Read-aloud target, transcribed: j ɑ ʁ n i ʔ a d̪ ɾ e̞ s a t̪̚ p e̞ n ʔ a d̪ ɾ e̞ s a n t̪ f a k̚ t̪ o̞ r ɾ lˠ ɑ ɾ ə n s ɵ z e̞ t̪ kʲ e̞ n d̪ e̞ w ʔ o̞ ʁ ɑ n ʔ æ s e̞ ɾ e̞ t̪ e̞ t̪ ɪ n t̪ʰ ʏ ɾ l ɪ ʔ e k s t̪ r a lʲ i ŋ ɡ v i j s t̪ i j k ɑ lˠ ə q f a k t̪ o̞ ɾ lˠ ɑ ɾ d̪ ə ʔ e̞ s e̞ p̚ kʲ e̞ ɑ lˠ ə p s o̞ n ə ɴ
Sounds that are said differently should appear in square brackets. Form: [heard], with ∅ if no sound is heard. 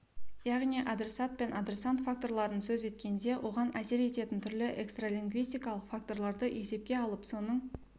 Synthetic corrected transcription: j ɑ ʁ n i ʔ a d̪ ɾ e̞ s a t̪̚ p e̞ n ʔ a d̪ ɾ e̞ s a n t̪ f a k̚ t̪ o̞ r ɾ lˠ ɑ ɾ ə n s ɵ z e̞ t̪ kʲ e̞ n d̪ e̞ w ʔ o̞ ʁ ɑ n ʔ æ s e̞ ɾ e̞ t̪ e̞ t̪ ɪ n t̪ʰ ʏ ɾ l ɪ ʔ e k s t̪ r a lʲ i ŋ ɡ v i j s t̪ i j k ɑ lˠ ə q f a k t̪ o̞ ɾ lˠ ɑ ɾ d̪ ə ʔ e̞ s e̞ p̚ kʲ e̞ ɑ lˠ ə p s o̞ n ə ɴ